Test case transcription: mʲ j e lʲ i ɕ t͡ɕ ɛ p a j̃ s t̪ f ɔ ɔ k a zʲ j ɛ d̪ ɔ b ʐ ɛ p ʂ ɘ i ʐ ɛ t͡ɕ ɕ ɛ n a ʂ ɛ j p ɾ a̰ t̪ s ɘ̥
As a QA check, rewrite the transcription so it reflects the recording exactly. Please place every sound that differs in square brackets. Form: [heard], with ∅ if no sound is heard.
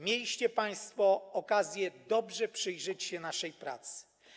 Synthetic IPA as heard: mʲ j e lʲ i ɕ t͡ɕ ɛ p a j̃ s t̪ f ɔ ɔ k a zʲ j ɛ d̪ ɔ b ʐ ɛ p ʂ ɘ [j] ʐ ɛ t͡ɕ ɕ ɛ n a ʂ ɛ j p ɾ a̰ t̪ s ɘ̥